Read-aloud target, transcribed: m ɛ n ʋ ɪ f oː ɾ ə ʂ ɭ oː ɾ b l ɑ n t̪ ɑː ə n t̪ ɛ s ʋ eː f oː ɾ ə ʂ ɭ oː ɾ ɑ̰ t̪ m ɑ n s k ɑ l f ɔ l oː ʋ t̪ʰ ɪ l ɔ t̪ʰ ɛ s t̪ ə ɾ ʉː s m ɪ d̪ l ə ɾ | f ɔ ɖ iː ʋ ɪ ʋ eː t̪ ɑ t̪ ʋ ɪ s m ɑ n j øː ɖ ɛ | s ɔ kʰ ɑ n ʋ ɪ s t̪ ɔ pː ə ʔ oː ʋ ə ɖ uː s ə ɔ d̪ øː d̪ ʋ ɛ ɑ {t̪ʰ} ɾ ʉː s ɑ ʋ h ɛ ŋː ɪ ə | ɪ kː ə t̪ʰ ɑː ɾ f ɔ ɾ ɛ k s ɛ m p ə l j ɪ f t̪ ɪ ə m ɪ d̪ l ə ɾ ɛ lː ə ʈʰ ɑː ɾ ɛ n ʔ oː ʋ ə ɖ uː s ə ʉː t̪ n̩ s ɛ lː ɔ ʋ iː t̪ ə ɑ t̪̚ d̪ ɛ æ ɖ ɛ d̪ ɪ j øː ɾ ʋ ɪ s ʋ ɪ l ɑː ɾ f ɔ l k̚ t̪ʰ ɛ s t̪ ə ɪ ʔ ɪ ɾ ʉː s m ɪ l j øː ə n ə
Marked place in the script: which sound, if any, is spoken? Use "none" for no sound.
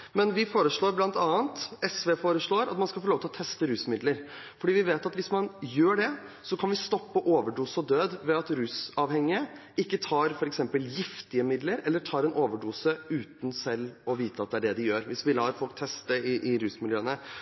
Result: t̪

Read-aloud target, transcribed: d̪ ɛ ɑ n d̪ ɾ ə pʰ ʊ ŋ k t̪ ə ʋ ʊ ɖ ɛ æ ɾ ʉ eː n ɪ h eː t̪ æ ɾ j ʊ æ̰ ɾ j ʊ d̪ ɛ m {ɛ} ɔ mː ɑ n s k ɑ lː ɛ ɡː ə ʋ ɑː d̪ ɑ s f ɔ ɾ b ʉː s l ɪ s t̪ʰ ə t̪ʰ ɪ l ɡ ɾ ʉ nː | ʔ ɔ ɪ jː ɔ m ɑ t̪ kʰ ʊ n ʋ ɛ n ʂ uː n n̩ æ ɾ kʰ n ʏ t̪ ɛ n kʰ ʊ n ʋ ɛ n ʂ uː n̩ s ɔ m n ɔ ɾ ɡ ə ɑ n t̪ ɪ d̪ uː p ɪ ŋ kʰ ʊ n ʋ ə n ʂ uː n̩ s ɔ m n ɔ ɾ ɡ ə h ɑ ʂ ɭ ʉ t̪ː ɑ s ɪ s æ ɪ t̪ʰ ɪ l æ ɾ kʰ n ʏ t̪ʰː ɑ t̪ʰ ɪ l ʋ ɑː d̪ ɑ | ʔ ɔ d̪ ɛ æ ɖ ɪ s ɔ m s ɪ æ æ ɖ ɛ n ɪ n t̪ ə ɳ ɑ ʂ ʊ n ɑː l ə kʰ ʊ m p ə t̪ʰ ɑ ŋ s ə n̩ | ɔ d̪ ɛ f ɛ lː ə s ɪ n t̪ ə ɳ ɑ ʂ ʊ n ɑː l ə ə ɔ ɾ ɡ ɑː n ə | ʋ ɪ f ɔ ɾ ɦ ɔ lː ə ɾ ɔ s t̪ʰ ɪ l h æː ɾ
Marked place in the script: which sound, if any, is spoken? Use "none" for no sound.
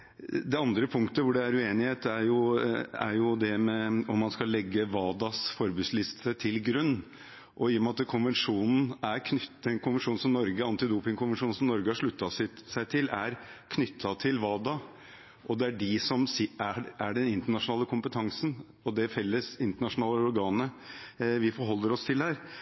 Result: ɛ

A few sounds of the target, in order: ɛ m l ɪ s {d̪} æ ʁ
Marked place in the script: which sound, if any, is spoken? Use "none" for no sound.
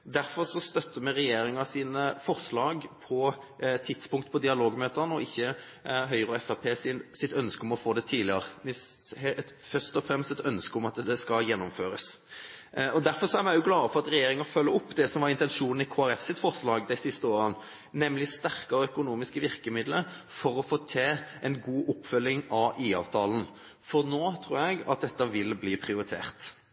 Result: t̪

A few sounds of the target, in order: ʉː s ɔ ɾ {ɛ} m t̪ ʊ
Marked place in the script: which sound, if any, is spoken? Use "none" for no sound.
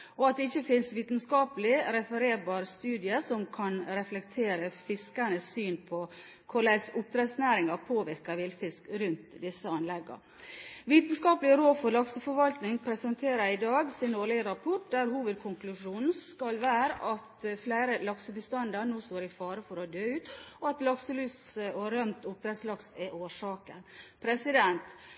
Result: œ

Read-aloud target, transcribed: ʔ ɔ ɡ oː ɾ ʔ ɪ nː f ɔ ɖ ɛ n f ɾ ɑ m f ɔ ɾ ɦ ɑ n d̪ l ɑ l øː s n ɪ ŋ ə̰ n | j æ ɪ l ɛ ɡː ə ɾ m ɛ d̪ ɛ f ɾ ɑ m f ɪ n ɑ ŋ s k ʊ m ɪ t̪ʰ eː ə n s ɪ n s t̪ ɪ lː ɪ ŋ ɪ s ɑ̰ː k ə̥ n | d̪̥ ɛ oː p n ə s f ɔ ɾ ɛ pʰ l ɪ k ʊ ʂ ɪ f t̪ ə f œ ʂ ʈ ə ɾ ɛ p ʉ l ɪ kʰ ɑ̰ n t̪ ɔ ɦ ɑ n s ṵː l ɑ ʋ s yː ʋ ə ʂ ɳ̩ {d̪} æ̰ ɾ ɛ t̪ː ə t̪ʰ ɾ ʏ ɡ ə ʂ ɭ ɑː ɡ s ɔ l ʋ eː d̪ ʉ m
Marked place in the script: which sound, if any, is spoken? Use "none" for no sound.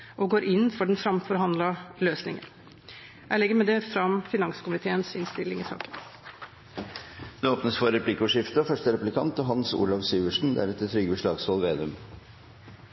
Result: d̪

